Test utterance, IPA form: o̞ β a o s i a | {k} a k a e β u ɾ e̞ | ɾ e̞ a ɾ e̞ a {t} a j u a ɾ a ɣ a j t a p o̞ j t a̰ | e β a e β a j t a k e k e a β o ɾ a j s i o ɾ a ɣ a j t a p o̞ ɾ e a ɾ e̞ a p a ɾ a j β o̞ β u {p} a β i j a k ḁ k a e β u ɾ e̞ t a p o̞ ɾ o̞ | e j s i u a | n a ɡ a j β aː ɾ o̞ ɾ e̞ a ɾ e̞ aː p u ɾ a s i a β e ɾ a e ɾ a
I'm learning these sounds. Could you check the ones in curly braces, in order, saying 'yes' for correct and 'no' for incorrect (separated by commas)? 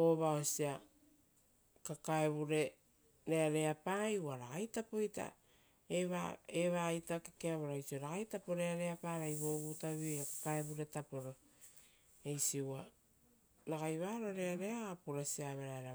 yes, no, no